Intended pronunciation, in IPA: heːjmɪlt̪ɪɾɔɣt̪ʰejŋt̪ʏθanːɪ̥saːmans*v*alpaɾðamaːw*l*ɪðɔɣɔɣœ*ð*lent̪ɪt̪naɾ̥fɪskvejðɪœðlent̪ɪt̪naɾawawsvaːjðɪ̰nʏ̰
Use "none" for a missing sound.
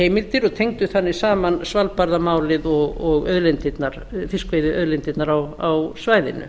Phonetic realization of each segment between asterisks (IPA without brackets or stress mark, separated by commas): v, l, ð